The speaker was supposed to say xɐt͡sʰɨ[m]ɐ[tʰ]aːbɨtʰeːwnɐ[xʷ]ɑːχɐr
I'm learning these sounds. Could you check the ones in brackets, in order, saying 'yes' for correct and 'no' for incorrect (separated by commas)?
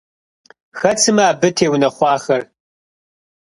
yes, no, no